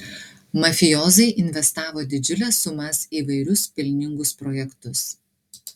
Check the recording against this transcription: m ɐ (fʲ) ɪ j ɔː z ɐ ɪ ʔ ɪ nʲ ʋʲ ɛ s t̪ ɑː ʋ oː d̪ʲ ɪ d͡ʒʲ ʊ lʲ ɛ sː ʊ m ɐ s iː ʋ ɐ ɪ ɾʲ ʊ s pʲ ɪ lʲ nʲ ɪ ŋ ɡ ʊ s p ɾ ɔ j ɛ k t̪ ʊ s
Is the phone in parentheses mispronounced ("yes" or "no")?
no